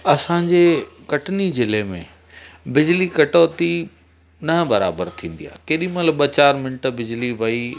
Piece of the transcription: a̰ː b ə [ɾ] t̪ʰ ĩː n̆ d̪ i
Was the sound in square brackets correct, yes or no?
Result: yes